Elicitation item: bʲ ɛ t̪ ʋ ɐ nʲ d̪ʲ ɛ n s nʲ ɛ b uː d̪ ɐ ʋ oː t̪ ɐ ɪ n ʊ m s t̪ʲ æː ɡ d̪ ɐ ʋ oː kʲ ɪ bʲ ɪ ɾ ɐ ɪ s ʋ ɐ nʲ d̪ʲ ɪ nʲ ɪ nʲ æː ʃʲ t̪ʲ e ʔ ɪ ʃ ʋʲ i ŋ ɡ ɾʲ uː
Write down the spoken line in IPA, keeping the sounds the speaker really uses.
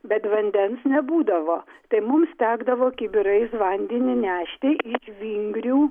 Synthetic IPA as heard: bʲ ɛ t̪ ʋ ɐ nʲ d̪ʲ ɛ n s nʲ ɛ b uː d̪ ɐ ʋ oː t̪ ɐ ɪ m ʊ m s t̪ʲ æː ɡ d̪ ɐ ʋ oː kʲ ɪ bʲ ɪ ɾ ɐ ɪ s ʋ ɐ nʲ d̪ʲ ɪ nʲ ɪ nʲ æː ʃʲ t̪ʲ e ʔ ɪ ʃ ʋʲ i ŋ ɡ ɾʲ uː